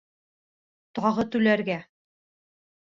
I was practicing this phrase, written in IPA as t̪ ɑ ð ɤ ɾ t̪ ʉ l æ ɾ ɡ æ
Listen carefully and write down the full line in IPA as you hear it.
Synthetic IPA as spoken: t̪ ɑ ʁ ɤ t̪ ʉ l æ ɾ ɡ æ